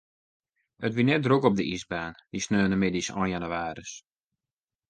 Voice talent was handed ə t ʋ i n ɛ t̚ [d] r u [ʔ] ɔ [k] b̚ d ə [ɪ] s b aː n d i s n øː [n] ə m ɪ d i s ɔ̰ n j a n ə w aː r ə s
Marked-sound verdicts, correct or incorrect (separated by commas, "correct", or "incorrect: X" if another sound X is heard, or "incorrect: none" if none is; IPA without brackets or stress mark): correct, incorrect: k, incorrect: none, incorrect: i, correct